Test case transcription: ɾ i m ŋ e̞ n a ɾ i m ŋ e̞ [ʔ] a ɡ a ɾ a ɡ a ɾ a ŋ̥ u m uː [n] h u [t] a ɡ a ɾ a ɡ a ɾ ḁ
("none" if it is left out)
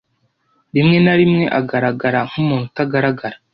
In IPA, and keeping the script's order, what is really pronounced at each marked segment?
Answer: ʔ, n, t

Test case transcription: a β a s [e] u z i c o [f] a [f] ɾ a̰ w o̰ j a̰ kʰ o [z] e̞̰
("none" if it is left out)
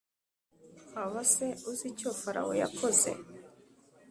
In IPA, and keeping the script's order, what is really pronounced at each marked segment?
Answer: e, f, none, z

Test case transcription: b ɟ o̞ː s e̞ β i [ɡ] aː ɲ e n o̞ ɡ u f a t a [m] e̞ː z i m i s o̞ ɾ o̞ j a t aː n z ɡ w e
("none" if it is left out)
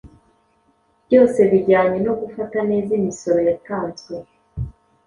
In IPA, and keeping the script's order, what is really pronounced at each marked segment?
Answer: ɟ, n

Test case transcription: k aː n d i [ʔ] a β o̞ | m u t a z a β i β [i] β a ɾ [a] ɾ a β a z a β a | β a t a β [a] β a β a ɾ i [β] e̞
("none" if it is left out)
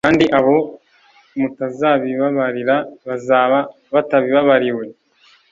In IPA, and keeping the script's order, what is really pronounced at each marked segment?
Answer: ʔ, a, i, i, w

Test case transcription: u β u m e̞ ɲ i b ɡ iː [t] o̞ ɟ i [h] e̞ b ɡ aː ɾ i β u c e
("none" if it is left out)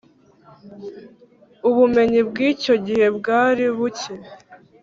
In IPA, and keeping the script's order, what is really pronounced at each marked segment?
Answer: c, h

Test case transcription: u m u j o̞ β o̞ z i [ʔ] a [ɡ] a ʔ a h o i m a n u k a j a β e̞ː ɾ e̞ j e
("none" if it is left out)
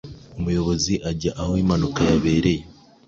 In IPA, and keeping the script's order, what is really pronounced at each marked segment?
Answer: ʔ, ɟ

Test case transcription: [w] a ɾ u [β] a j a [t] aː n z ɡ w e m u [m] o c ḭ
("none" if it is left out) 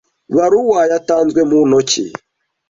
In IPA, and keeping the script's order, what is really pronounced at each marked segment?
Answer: β, w, t, n

